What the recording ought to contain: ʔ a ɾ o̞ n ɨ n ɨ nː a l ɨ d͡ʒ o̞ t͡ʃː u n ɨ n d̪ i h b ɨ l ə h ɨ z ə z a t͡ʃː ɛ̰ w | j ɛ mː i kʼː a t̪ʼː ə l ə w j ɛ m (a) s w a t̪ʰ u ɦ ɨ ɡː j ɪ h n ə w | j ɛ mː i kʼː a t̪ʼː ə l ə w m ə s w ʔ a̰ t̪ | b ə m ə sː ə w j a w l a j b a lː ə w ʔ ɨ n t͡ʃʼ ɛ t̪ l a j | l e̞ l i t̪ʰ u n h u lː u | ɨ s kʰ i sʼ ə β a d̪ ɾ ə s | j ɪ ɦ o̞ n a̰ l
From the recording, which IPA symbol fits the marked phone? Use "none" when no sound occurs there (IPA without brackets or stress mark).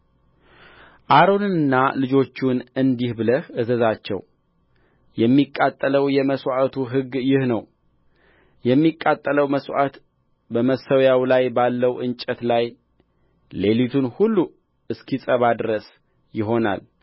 ə